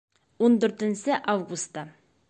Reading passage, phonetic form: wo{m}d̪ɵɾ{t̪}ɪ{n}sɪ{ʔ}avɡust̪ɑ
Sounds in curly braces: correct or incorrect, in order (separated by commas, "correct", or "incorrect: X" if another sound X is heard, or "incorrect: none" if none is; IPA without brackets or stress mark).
incorrect: n, correct, correct, correct